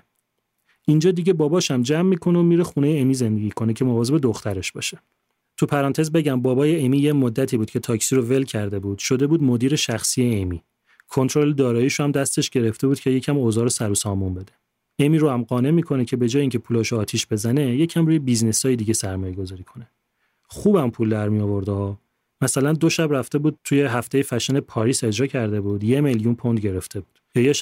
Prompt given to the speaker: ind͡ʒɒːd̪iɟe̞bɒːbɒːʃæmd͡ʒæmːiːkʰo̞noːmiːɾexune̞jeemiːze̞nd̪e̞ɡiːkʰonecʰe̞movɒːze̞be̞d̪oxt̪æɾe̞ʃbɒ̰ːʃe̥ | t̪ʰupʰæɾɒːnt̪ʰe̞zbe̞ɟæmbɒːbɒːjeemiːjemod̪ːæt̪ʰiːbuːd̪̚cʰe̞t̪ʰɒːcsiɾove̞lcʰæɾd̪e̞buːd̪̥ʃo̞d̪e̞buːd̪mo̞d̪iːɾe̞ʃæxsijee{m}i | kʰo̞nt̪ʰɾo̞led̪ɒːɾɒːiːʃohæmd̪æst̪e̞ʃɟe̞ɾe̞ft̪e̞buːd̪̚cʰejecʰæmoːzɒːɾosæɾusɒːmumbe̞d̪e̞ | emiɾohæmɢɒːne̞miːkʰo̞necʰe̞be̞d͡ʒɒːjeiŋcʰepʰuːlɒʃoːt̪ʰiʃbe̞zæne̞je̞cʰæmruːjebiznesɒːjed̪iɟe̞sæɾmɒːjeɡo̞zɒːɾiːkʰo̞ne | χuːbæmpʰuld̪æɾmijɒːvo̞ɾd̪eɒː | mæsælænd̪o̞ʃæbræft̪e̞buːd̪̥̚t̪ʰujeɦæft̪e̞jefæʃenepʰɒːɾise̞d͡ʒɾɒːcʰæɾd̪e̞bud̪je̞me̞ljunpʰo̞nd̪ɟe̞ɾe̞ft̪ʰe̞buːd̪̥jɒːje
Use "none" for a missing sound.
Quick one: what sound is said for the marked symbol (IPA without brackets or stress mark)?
m